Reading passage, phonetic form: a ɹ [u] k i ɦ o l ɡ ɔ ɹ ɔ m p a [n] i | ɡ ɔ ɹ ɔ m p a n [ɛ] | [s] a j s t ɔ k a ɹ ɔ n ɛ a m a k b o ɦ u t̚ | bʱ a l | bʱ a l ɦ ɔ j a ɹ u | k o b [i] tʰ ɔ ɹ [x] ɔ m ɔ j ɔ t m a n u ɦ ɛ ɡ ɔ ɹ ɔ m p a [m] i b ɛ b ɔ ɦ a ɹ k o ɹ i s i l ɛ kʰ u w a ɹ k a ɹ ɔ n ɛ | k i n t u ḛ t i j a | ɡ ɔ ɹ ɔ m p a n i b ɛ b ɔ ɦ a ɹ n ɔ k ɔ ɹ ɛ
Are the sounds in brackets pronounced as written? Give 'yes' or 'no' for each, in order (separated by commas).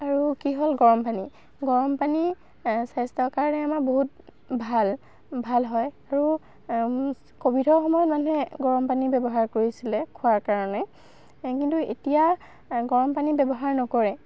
yes, yes, no, yes, yes, yes, no